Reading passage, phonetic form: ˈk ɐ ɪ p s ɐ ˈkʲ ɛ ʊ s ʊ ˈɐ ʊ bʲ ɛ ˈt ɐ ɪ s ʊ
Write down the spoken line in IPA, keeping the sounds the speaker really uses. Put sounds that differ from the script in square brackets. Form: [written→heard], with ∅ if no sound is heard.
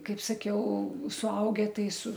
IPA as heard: ˈk ɐ ɪ p s ɐ ˈkʲ ɛ ʊ s ʊ ˈɐ ʊ [bʲ→ɡʲ] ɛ ˈt ɐ ɪ s ʊ